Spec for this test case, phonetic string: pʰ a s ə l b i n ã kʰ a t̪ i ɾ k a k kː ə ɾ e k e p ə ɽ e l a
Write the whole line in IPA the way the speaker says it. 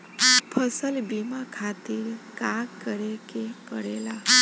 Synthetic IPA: pʰ ə s ə l b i m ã kʰ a t̪ i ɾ k a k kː ə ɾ e k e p ə ɽ e l a